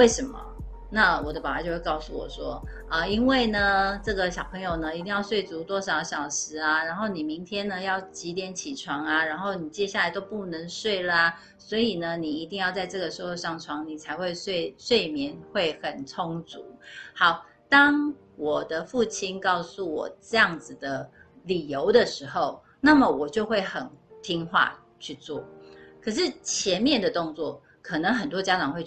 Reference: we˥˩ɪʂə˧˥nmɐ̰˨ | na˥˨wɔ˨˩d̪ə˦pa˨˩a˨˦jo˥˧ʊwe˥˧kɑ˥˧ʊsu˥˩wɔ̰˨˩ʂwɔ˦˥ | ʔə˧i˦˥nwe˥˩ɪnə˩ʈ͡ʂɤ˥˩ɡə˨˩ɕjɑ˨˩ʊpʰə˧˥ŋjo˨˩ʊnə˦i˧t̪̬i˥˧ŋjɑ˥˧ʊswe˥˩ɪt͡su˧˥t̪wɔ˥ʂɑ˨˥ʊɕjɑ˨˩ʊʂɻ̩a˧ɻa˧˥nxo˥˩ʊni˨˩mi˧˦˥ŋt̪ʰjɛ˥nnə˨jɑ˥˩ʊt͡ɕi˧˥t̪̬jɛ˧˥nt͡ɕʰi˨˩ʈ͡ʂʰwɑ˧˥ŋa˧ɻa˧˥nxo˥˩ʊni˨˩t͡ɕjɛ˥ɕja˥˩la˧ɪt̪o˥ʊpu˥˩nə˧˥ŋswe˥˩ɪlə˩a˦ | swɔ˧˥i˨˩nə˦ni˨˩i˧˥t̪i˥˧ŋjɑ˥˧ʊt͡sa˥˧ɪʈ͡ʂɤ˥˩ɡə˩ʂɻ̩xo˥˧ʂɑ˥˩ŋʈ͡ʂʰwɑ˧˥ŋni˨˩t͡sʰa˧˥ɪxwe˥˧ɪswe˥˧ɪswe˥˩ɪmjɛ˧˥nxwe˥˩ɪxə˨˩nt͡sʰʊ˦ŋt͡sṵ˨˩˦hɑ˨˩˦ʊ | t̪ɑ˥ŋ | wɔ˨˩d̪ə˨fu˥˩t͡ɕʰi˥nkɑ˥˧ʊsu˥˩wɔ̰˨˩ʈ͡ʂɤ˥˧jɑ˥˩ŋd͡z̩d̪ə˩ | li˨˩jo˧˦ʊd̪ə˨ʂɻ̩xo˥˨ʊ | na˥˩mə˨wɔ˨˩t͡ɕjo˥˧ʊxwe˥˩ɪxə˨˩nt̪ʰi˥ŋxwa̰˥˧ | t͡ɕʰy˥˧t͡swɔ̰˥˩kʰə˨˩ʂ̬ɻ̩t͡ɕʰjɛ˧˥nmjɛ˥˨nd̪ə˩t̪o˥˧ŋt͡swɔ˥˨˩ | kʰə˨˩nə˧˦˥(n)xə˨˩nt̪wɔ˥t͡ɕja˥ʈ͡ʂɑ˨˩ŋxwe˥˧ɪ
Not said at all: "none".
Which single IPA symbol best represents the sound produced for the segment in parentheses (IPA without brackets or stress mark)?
ŋ